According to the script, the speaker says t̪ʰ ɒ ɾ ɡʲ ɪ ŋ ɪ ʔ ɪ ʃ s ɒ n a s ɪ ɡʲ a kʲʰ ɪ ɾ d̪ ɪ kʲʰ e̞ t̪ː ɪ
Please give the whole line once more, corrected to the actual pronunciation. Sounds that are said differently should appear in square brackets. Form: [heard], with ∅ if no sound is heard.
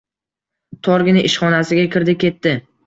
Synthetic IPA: t̪ʰ ɒ ɾ ɡʲ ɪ [n] ɪ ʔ ɪ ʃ [χ] ɒ n a s ɪ ɡʲ a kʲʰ ɪ ɾ d̪ ɪ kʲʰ e̞ t̪ː ɪ